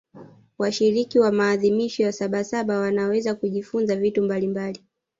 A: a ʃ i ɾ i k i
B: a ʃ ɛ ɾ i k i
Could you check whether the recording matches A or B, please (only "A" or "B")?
A